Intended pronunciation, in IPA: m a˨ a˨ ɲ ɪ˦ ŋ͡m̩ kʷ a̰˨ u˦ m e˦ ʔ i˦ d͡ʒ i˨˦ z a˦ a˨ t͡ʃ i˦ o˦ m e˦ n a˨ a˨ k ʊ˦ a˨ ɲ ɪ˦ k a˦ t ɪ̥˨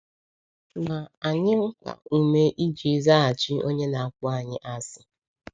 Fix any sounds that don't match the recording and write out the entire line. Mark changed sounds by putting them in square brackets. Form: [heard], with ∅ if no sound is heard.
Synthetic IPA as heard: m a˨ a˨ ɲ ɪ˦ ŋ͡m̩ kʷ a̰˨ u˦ m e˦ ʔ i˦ d͡ʒ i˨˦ z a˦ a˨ t͡ʃ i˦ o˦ [ɲ] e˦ n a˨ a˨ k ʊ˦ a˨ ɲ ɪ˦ [ʔ] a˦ [s] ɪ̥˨

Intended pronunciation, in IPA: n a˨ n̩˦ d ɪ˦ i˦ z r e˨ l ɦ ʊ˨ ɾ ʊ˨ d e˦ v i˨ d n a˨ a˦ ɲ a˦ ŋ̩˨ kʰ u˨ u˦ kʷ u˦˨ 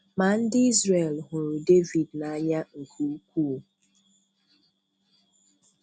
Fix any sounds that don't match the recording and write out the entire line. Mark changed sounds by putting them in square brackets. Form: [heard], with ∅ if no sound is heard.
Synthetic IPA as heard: [m] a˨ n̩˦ d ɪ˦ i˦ z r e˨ l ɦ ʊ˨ ɾ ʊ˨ d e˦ v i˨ d n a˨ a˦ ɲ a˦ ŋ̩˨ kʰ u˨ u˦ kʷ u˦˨

